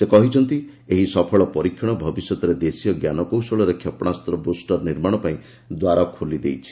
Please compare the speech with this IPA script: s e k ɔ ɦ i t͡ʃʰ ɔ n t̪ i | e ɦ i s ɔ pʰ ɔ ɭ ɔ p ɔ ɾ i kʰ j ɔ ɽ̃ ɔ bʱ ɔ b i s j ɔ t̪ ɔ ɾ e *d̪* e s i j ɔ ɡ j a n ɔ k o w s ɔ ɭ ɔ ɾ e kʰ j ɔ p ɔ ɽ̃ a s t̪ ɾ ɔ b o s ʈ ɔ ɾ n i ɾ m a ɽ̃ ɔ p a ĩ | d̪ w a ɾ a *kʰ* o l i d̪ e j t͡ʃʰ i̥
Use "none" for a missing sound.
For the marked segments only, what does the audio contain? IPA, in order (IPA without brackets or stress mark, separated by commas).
d̪, kʰ